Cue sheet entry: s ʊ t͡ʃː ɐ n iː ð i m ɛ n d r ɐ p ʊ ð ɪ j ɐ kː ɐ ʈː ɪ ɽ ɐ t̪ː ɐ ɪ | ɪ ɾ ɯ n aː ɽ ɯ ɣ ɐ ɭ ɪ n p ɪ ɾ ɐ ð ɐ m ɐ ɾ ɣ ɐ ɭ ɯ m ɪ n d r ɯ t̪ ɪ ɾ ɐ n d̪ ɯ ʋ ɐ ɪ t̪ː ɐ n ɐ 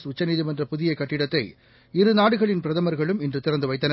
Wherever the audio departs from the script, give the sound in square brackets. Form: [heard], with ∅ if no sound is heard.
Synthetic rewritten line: s ʊ t͡ʃː ɐ n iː ð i m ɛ n d r ɐ p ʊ ð ɪ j ɐ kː ɐ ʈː ɪ ɽ ɐ t̪ː ɐ ɪ | ɪ ɾ ɯ n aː ɽ ɯ ɣ ɐ ɭ ɪ n p ɪ ɾ ɐ ð ɐ m ɐ ɾ ɣ ɐ ɭ ɯ m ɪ n d r ɯ t̪ ɪ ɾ ɐ n d̪ ɯ ʋ ɐ ɪ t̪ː ɐ n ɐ

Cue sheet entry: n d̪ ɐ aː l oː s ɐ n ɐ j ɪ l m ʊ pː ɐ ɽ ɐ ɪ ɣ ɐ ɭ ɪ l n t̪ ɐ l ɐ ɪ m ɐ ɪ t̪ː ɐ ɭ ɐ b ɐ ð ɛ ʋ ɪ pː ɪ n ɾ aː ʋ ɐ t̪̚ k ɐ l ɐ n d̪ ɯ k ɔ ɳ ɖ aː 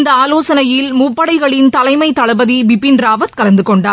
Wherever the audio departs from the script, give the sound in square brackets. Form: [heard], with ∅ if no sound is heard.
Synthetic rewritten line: n d̪ ɐ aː l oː s ɐ n ɐ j ɪ l m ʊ pː ɐ ɽ ɐ ɪ ɣ ɐ ɭ ɪ [∅] n t̪ ɐ l ɐ ɪ m ɐ ɪ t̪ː ɐ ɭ ɐ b ɐ ð [i] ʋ ɪ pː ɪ n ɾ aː ʋ ɐ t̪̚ k ɐ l ɐ n d̪ ɯ k ɔ ɳ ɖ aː

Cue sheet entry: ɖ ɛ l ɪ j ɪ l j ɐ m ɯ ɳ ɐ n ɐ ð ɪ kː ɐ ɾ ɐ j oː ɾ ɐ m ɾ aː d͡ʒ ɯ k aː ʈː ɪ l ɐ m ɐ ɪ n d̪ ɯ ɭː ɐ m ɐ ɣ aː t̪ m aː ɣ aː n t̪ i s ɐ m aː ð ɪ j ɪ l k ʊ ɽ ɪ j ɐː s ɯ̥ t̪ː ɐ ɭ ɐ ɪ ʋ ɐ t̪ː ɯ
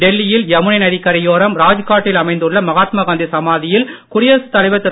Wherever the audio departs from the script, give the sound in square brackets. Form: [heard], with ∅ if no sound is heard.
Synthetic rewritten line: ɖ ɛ [lː] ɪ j ɪ l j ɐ m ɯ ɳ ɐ n ɐ ð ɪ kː ɐ ɾ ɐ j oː ɾ ɐ m ɾ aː d͡ʒ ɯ k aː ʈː ɪ l ɐ m ɐ ɪ n d̪ ɯ ɭː ɐ m ɐ ɣ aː t̪ m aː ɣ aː n [d̪] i s ɐ m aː ð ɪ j ɪ l k ʊ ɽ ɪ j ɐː s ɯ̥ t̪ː ɐ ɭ ɐ ɪ ʋ ɐ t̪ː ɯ

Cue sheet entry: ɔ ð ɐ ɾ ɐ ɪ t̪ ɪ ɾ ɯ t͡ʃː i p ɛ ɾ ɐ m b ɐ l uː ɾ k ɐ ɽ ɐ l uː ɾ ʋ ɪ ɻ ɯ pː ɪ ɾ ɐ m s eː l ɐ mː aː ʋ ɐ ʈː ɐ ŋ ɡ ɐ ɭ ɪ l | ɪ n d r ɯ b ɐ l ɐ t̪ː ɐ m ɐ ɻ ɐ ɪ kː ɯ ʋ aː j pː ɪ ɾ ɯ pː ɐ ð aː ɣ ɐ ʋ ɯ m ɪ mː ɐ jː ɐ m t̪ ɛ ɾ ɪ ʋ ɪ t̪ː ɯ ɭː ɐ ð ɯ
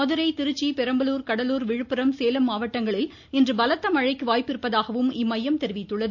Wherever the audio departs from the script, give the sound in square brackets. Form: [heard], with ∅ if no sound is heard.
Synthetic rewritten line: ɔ ð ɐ ɾ ɐ ɪ t̪ ɪ ɾ ɯ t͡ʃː i p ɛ ɾ ɐ m b ɐ l uː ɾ k ɐ ɽ ɐ l uː ɾ ʋ ɪ ɻ ɯ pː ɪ ɾ ɐ m s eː l ɐ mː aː ʋ ɐ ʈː ɐ ŋ ɡ ɐ ɭ ɪ l | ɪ n d r ɯ b ɐ l ɐ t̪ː ɐ m ɐ ɻ ɐ ɪ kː ɯ ʋ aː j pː ɪ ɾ ɯ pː ɐ ð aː ɣ ɐ ʋ ɯ m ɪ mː ɐ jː ɐ m t̪ ɛ ɾ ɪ ʋ ɪ t̪ː ɯ ɭː ɐ ð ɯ

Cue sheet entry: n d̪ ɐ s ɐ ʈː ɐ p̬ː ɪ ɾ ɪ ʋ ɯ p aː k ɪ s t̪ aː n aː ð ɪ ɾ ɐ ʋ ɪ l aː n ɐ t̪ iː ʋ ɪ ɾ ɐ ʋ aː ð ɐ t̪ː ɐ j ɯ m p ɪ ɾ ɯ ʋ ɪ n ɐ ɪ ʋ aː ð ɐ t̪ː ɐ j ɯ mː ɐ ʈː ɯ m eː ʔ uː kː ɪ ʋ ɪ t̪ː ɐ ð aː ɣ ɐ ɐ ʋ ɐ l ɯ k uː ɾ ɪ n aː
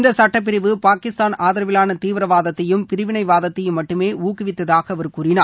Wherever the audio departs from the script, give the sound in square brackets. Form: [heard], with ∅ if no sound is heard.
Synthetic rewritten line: n d̪ ɐ s ɐ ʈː ɐ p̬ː ɪ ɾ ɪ ʋ ɯ p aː k ɪ s t̪ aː n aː ð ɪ ɾ ɐ ʋ ɪ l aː n ɐ t̪ iː ʋ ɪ ɾ ɐ ʋ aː ð ɐ t̪ː ɐ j ɯ m p ɪ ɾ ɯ ʋ ɪ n ɐ ɪ ʋ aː ð ɐ t̪ː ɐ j ɯ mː ɐ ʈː ɯ m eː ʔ uː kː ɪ ʋ ɪ t̪ː ɐ ð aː ɣ ɐ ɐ ʋ ɐ [ɾ] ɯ k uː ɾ ɪ n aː

